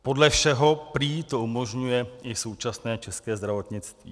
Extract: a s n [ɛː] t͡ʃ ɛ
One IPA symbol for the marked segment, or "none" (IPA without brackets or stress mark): ɛː